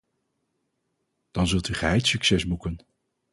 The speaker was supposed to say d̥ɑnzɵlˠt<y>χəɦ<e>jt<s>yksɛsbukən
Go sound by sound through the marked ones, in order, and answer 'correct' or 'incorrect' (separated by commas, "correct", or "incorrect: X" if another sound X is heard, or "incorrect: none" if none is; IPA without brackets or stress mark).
correct, incorrect: ɛ, correct